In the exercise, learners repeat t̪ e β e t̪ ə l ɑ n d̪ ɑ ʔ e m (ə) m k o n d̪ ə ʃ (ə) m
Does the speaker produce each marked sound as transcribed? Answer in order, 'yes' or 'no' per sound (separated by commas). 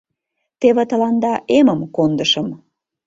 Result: yes, yes